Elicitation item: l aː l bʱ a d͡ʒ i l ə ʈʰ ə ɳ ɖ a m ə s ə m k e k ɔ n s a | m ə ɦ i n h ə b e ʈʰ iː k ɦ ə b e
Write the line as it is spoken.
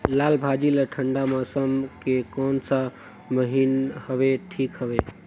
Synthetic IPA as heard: l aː l bʱ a d͡ʒ i l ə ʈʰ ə ɳ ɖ a m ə s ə m k e k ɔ n s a | m ə ɦ i n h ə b e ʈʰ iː k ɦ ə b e